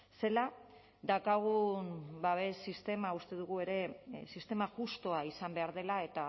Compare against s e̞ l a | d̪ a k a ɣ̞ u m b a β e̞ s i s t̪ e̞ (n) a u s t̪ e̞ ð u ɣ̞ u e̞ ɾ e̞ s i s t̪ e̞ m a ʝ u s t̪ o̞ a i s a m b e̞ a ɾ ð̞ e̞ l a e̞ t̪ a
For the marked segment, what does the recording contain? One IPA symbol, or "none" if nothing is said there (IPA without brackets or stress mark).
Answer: m